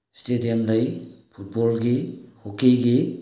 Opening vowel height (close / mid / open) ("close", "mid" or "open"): mid